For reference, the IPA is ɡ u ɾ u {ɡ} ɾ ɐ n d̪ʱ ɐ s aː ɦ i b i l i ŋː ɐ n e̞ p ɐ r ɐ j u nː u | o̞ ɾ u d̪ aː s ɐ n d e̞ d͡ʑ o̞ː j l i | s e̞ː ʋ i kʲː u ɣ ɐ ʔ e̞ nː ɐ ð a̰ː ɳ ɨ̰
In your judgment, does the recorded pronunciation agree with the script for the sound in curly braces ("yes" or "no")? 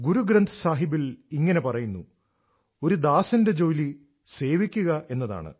yes